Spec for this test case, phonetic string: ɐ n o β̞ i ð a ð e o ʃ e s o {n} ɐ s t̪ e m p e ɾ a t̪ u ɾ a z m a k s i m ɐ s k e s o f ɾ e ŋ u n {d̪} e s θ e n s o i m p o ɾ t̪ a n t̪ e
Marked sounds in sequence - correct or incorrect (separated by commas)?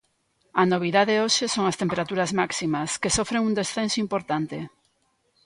incorrect, correct